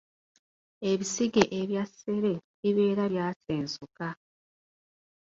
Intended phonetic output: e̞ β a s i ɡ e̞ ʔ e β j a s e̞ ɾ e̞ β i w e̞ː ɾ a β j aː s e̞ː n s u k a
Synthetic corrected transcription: e̞ β i s i ɡ e̞ ʔ e β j a s e̞ ɾ e̞ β i β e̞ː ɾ a β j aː s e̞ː n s u k a